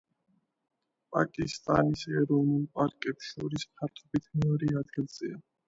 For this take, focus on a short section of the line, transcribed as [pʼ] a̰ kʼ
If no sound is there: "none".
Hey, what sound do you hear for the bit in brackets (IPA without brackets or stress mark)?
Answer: pʼ